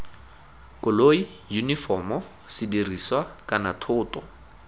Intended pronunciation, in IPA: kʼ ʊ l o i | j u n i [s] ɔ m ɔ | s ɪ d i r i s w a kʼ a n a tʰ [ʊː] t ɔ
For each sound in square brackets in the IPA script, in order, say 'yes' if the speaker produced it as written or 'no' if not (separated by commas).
no, yes